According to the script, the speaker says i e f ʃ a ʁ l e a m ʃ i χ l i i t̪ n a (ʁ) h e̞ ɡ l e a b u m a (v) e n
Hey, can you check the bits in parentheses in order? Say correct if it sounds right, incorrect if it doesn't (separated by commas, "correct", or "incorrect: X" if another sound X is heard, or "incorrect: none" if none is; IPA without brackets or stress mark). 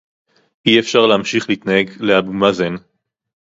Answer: incorrect: none, incorrect: z